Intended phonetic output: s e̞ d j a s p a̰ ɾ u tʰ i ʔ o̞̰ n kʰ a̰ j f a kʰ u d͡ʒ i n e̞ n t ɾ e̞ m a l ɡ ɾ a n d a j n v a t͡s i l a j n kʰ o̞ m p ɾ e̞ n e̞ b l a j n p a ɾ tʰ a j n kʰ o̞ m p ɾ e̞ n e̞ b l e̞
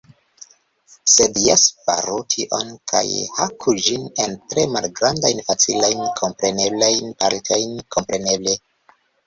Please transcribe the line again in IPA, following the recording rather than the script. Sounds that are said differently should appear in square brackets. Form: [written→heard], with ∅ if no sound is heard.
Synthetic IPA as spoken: s e̞ d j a s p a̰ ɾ u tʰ i ʔ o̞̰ n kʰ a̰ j [f→h] a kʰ u d͡ʒ i n e̞ n t ɾ e̞ m a l ɡ ɾ a n d a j n [v→f] a t͡s i l a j n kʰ o̞ m p ɾ e̞ n e̞ b l a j n p a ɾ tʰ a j n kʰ o̞ m p ɾ e̞ n e̞ b l e̞